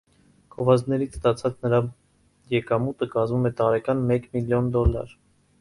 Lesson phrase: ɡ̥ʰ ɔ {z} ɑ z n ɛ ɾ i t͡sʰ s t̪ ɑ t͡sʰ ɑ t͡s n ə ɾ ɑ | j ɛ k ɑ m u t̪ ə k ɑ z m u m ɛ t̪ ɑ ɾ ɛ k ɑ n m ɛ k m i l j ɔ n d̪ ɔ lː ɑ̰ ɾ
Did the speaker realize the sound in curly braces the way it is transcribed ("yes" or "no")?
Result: no